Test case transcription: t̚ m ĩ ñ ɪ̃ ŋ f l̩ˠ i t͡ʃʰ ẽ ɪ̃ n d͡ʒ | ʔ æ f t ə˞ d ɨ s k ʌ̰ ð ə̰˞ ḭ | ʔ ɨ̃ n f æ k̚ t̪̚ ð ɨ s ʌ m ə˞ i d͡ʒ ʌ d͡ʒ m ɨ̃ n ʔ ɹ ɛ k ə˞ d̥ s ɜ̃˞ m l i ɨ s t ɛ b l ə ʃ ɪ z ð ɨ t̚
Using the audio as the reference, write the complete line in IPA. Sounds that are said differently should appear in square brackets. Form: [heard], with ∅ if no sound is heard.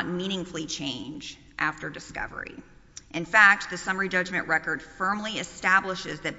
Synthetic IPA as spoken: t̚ m ĩ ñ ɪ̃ ŋ f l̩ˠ i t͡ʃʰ ẽ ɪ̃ n d͡ʒ | ʔ æ f t ə˞ d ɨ s k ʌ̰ [v] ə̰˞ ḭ | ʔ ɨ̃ n f æ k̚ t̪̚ ð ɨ s ʌ m ə˞ i d͡ʒ ʌ d͡ʒ m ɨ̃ n ʔ ɹ ɛ k ə˞ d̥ [f] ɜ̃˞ m l i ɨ s t [æ] b l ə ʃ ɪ z ð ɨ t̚